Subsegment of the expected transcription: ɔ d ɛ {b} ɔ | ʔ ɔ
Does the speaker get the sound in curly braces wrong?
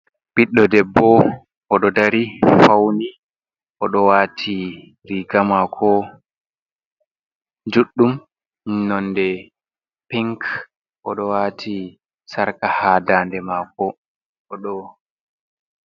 yes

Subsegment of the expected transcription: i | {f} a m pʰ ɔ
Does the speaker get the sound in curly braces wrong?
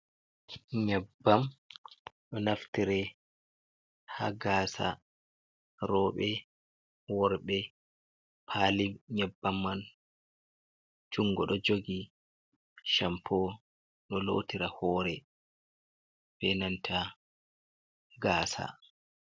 yes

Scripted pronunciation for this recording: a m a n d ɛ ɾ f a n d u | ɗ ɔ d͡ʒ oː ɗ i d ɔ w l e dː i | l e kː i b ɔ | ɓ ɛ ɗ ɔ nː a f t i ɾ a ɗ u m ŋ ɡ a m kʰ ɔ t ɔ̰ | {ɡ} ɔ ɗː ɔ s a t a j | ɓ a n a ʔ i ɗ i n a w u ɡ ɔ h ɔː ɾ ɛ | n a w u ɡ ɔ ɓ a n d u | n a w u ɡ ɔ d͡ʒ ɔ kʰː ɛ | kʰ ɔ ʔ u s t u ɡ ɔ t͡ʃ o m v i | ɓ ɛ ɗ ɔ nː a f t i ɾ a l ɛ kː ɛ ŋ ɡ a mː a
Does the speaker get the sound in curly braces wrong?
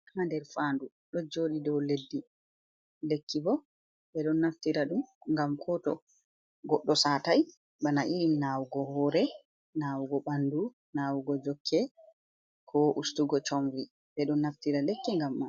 no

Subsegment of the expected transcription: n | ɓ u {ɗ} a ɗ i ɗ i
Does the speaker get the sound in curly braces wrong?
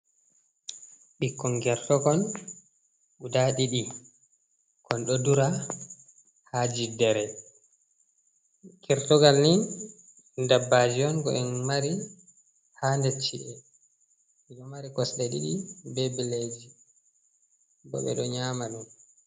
yes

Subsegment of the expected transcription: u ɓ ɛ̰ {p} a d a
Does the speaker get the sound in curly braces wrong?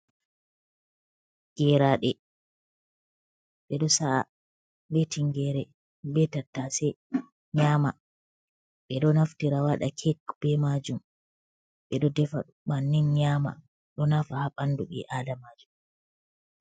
yes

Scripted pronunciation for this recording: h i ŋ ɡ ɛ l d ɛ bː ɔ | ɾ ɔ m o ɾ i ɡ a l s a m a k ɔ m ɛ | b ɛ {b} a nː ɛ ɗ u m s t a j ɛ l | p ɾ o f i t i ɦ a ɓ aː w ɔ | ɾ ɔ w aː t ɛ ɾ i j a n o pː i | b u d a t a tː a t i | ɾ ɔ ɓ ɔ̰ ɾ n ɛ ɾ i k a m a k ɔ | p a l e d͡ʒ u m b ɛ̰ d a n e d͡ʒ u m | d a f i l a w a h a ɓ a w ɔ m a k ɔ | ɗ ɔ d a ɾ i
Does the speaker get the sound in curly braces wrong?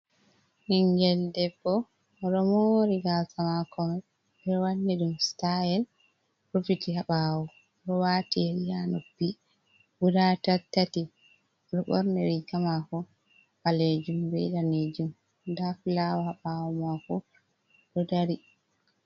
yes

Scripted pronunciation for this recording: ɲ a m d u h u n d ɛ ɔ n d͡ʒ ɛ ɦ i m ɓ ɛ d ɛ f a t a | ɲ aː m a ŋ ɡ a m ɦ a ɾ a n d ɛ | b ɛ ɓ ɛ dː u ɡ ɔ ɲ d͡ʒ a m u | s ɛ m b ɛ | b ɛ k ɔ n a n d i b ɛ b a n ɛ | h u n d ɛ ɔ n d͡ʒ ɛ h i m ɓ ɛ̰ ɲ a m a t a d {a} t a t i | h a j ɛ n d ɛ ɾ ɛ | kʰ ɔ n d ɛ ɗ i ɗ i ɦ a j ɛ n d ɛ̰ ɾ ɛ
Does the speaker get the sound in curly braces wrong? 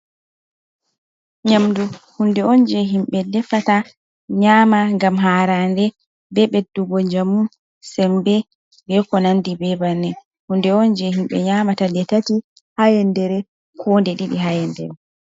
yes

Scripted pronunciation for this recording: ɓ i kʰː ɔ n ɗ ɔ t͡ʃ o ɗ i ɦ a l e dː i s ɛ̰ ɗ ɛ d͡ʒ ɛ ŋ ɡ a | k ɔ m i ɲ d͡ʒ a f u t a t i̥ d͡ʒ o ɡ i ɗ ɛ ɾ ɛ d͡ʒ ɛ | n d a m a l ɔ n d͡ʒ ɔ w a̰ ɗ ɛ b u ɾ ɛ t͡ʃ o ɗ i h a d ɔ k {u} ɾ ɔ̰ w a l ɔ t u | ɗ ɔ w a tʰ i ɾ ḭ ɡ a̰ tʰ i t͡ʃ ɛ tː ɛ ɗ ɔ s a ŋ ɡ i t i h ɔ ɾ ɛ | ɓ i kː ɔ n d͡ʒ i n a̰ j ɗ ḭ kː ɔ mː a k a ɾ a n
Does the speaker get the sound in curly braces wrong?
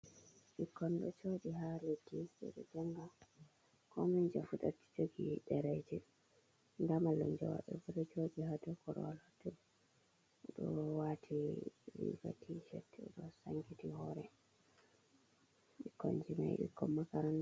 yes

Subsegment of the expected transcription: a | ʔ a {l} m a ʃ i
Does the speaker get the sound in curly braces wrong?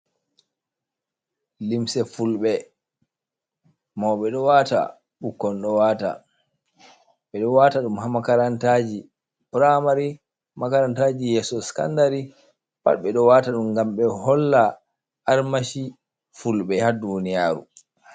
yes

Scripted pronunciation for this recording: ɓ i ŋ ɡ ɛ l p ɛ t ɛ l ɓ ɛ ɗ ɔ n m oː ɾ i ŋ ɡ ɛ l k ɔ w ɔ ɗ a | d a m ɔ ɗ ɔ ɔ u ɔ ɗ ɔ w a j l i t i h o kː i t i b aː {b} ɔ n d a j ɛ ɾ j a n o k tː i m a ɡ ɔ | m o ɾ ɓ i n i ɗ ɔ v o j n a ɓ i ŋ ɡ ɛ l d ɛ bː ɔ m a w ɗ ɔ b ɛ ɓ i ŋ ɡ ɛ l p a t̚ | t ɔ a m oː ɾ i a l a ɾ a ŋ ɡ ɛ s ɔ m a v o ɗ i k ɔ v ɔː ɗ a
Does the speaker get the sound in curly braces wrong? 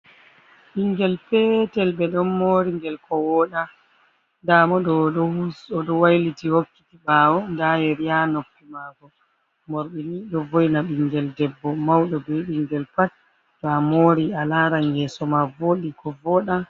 yes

